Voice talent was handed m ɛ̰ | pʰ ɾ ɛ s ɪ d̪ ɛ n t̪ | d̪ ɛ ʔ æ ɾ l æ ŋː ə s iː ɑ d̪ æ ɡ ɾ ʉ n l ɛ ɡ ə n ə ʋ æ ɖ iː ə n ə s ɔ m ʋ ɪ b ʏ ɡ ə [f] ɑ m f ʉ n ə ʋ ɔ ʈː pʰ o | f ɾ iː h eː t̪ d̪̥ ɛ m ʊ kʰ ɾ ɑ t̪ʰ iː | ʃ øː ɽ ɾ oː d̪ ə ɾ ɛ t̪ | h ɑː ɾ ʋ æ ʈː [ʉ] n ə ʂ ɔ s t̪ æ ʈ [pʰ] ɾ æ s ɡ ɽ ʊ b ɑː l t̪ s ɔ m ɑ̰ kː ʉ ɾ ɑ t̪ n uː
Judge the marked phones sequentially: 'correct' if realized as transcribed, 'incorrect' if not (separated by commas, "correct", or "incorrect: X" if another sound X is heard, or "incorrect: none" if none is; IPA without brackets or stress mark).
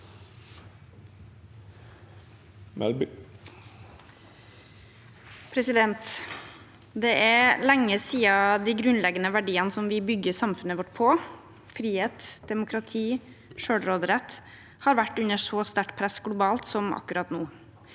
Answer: incorrect: s, correct, correct